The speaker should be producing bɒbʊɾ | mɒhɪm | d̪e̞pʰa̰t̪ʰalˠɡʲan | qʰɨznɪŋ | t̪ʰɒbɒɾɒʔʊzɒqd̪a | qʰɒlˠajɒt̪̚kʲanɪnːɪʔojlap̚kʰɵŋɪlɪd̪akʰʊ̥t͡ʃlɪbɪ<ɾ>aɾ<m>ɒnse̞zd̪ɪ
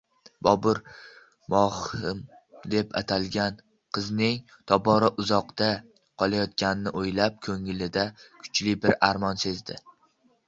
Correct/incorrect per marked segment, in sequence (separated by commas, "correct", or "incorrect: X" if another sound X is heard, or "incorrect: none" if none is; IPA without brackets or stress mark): correct, correct